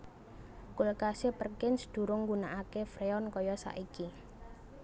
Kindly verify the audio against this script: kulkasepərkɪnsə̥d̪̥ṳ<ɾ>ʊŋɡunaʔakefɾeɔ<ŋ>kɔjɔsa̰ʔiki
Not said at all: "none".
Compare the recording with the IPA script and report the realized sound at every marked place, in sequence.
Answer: ɾ, n

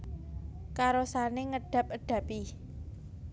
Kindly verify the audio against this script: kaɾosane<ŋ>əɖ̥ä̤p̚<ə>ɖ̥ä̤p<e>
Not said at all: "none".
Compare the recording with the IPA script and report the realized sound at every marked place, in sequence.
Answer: ŋ, ə, i

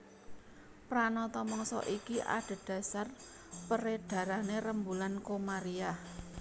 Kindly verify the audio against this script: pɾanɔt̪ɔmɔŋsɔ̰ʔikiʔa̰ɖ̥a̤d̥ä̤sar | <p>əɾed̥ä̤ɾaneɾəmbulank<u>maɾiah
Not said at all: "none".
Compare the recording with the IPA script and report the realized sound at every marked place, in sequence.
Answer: p, o

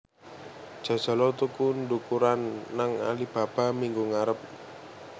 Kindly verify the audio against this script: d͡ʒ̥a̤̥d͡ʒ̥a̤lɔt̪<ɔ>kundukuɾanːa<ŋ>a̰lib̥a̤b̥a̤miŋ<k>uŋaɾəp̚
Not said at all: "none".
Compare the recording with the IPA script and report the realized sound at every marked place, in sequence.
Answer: u, ŋ, ɡ

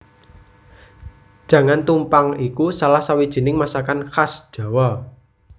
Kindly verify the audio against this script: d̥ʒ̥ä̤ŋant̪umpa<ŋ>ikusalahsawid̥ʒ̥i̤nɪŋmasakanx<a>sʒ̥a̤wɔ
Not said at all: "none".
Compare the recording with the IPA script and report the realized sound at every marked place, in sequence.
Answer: ŋ, a

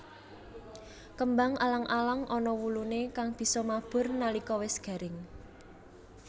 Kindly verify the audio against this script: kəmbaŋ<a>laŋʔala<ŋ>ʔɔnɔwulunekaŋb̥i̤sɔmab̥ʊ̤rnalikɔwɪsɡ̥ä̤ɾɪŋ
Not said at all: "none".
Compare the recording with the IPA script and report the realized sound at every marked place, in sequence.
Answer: a, ŋ

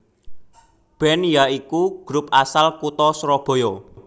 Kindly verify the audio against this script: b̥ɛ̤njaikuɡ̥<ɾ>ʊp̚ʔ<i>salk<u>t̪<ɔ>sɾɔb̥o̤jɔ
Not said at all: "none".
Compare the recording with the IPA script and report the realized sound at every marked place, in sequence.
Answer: ɾ, a, u, ɔ

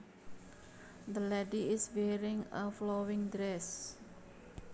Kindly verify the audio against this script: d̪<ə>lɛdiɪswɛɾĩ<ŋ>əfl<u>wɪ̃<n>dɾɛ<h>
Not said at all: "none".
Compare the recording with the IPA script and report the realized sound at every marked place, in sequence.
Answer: ə, ŋ, o, ŋ, s

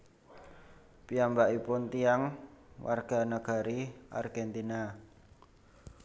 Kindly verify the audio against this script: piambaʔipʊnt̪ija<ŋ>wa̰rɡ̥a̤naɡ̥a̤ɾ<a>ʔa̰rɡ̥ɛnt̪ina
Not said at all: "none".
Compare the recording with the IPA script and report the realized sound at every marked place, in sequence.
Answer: ŋ, i

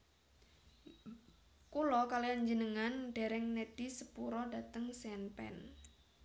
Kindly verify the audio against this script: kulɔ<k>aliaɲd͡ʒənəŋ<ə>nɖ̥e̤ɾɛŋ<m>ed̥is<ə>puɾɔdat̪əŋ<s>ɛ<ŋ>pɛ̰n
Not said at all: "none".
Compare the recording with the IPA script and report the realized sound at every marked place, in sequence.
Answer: k, a, n, ə, s, n

